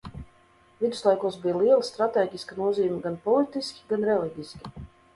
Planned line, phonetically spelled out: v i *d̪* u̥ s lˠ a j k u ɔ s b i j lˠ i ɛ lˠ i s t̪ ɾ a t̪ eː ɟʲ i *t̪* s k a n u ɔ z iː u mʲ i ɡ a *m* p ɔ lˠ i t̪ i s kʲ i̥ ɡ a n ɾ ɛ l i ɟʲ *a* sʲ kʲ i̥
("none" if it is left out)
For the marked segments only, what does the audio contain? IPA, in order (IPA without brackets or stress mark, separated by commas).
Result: d̪, none, n, i